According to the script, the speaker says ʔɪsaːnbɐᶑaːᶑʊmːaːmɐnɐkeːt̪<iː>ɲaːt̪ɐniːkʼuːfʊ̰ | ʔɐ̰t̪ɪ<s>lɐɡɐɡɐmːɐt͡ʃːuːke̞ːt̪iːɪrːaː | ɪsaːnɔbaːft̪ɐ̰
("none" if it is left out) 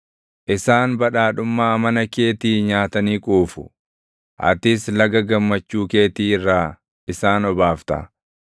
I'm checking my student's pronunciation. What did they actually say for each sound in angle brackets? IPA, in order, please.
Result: iː, s

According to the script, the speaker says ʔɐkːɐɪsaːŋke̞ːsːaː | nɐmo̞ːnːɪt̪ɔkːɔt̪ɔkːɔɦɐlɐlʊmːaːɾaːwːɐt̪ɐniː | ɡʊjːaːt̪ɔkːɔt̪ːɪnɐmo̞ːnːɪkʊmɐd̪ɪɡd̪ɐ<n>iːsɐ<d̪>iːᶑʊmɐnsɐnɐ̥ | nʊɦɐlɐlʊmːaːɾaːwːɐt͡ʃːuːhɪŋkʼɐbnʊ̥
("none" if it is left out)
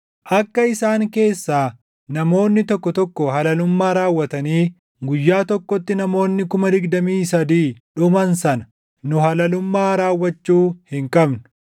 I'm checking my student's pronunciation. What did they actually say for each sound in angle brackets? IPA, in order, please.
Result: m, d̪

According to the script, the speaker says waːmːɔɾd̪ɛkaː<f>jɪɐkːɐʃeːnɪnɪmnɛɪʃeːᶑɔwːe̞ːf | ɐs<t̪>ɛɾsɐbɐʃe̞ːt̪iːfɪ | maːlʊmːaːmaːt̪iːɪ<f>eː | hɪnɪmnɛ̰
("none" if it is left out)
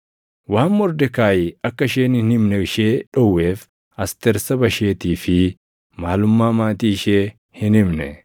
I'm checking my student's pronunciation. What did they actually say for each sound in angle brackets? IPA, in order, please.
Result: none, t̪, ʃ

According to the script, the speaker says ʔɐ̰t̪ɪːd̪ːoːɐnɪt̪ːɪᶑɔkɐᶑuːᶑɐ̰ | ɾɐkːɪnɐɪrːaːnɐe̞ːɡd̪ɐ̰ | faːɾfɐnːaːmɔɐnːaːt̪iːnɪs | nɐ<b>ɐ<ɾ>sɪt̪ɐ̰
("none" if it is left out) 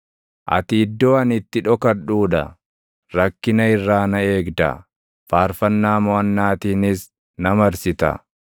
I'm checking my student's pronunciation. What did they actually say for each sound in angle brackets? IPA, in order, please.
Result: m, ɾ

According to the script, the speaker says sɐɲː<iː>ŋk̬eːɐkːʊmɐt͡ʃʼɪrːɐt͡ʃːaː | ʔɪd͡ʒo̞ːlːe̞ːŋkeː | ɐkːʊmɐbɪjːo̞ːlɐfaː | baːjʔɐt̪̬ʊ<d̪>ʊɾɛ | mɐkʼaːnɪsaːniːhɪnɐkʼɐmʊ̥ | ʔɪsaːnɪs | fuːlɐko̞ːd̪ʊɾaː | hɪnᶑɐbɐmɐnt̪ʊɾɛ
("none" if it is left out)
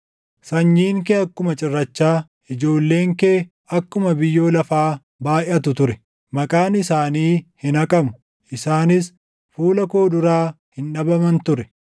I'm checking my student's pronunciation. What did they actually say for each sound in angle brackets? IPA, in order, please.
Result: iː, t̪

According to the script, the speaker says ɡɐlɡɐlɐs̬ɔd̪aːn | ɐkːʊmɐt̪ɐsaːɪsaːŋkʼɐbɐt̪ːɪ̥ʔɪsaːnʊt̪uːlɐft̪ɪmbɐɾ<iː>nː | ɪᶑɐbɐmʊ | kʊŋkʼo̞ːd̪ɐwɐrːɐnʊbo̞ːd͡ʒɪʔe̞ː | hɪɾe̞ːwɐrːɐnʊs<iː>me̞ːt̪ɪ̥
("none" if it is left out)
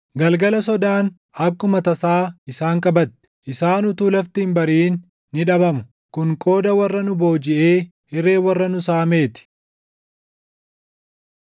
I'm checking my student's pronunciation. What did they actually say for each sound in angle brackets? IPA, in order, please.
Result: iː, aː

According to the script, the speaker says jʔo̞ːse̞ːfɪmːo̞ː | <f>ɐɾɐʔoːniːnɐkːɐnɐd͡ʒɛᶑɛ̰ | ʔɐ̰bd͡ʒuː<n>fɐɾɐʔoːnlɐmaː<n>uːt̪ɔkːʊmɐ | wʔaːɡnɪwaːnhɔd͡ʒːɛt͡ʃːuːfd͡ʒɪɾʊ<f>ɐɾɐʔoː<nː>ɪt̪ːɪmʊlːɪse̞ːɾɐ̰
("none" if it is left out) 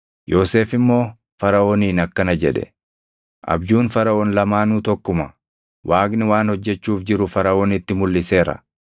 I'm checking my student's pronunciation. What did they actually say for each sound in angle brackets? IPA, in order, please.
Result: f, n, n, f, n

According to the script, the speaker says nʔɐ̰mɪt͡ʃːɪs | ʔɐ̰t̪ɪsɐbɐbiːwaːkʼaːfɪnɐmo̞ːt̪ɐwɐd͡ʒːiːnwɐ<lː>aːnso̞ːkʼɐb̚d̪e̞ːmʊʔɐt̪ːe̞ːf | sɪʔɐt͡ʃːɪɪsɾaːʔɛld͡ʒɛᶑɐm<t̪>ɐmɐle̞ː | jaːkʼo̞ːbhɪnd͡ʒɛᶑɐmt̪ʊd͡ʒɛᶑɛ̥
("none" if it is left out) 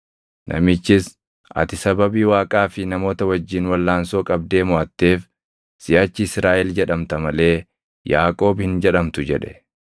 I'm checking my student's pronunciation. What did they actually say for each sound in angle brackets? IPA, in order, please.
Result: lː, t̪

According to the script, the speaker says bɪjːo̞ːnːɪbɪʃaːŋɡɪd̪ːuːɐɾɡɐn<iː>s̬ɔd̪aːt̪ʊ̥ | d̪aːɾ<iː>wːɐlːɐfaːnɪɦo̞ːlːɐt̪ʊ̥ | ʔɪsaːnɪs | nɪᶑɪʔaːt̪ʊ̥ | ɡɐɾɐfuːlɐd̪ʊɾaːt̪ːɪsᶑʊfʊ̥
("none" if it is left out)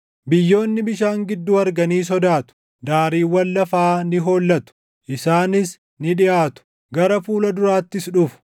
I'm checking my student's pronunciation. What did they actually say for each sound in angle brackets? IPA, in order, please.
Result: iː, iː

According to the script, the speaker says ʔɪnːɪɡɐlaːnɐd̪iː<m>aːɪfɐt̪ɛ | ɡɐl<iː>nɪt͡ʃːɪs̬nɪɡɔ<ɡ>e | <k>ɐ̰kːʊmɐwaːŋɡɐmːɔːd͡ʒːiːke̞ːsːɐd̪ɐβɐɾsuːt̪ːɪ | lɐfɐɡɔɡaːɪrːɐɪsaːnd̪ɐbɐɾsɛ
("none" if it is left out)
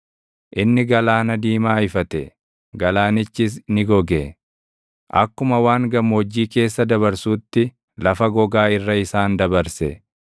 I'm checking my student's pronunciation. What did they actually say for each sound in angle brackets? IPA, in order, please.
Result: m, aː, ɡ, ʔ

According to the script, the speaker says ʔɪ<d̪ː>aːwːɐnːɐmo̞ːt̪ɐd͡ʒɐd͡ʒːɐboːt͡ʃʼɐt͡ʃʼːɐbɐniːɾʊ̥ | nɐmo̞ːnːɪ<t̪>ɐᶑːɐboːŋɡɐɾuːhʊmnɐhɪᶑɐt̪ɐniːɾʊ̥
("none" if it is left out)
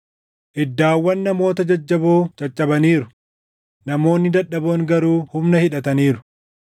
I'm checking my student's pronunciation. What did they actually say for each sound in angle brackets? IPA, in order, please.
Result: d̪ː, d̪

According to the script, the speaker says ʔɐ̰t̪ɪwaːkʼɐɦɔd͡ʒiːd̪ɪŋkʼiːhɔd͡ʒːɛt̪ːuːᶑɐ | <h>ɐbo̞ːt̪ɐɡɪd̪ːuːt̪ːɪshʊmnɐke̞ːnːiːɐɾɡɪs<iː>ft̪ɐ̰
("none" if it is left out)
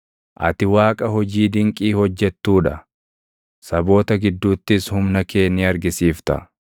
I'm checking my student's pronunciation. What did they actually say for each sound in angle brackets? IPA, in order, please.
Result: s, iː

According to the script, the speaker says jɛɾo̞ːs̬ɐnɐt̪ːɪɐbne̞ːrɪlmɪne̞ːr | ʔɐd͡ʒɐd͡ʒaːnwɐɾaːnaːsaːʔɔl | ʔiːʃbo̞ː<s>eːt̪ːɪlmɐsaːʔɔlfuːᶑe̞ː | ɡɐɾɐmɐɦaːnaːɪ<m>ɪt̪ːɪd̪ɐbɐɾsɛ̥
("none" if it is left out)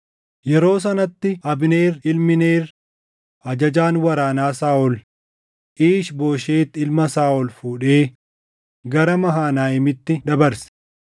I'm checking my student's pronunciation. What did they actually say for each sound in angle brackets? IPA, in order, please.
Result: ʃ, m

